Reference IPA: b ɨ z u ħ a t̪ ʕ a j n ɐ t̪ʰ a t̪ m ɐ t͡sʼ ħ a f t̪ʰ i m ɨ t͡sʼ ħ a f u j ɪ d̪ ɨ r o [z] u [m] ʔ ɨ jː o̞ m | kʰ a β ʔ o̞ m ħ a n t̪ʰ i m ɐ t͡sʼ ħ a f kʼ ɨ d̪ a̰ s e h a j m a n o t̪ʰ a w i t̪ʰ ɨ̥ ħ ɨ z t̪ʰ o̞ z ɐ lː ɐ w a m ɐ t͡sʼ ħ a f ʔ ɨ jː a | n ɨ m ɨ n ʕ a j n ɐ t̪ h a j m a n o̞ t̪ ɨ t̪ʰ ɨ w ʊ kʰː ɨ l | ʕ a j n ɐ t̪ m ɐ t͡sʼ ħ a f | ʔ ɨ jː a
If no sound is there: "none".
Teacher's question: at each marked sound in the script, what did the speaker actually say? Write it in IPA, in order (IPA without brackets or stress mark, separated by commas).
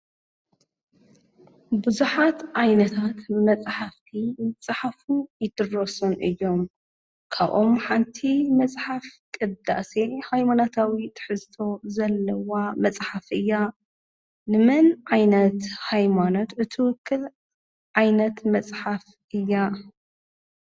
s, n